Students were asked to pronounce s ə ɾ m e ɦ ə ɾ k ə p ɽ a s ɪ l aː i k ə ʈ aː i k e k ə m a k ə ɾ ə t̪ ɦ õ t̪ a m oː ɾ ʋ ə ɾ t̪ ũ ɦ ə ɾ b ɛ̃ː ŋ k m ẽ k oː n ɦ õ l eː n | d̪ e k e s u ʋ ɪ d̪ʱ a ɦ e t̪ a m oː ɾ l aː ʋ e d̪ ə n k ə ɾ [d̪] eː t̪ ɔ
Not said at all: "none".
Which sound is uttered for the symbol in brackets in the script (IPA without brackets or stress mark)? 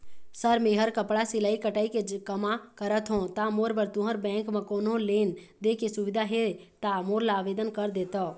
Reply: d̪